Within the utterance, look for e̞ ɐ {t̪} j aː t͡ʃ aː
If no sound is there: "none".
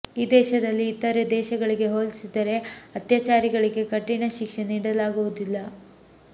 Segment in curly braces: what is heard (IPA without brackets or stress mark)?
t̪